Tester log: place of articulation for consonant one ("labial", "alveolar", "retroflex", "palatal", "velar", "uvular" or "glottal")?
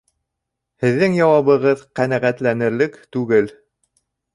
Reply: glottal